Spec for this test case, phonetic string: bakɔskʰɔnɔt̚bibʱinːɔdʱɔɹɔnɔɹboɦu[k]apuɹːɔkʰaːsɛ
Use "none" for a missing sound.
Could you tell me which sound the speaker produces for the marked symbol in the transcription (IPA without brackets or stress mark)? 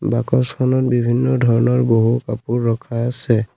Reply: k